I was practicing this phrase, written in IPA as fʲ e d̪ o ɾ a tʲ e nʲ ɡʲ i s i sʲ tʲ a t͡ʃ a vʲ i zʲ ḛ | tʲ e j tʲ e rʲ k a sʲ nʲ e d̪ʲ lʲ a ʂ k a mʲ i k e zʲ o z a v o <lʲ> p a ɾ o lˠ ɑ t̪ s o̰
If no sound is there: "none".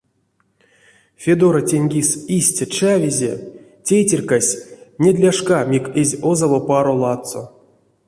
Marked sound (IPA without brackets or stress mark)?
none